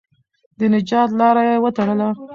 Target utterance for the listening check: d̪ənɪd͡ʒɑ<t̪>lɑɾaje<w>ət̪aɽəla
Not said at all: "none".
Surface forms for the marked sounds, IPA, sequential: t̪, w

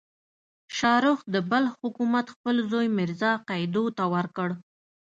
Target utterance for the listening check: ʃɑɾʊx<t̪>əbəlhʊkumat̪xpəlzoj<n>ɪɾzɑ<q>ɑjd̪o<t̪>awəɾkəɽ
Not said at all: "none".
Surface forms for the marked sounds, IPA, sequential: d̪, m, q, t̪

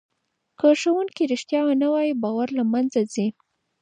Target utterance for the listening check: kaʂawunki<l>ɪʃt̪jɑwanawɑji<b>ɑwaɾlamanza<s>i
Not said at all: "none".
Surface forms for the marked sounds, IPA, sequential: ɾ, b, z

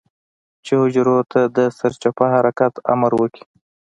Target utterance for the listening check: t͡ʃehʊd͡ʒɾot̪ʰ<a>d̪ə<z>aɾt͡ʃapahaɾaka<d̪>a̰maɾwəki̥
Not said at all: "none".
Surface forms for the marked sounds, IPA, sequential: a, s, t̪

